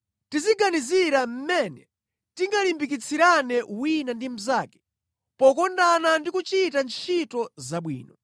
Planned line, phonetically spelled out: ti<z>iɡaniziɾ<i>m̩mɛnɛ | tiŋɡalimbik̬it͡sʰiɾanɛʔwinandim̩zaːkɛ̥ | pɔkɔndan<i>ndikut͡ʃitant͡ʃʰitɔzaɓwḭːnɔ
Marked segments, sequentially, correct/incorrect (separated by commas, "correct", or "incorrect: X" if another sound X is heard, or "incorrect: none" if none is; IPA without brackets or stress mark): correct, incorrect: a, incorrect: a